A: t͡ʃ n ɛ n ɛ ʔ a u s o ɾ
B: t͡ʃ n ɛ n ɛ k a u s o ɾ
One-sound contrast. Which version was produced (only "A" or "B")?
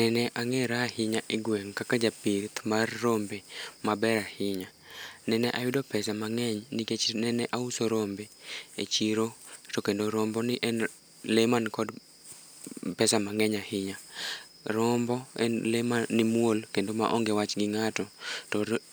A